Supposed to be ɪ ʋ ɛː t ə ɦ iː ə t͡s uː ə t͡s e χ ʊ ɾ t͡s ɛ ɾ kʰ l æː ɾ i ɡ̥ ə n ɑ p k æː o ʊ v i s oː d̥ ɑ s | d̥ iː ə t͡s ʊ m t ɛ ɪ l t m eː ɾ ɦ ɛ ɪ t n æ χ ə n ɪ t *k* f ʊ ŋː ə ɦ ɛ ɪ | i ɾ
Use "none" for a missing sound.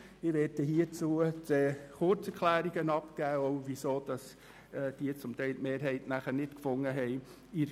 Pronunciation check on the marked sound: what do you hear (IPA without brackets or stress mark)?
k